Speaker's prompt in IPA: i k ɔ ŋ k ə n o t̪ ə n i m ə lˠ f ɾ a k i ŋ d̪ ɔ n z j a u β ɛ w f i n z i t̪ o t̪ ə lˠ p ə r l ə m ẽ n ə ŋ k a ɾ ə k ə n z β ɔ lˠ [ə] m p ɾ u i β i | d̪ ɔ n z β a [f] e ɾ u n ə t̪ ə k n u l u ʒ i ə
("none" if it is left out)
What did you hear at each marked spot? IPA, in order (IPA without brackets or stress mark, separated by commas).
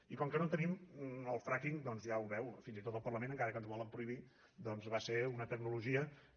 ə, s